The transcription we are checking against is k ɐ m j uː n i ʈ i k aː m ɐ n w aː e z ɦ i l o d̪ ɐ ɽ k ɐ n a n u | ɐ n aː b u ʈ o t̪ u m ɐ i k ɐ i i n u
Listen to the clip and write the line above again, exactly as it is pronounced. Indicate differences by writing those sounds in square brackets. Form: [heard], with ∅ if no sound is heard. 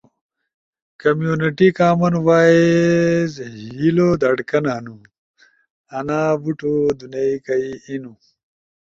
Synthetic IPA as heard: k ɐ m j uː n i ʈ i k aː m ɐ n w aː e z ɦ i l o d̪ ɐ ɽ k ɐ n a n u | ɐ n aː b u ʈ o [d̪] u [n] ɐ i k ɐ i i n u